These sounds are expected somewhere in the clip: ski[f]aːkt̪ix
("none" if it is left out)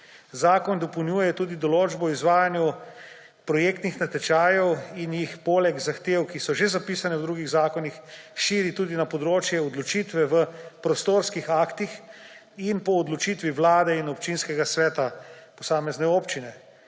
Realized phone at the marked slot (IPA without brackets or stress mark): x